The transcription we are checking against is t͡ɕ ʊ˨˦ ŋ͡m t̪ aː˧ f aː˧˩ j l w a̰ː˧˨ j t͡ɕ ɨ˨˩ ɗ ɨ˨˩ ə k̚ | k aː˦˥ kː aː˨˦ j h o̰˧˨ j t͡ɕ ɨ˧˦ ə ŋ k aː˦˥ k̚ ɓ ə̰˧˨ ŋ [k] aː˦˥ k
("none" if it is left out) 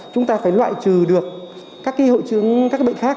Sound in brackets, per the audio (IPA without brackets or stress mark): x